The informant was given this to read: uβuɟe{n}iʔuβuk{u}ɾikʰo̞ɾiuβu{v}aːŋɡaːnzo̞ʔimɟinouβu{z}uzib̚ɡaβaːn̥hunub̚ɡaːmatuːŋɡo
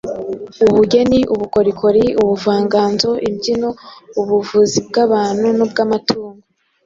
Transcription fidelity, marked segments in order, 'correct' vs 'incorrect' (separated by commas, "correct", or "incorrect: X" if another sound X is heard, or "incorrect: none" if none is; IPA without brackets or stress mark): correct, incorrect: o, correct, incorrect: v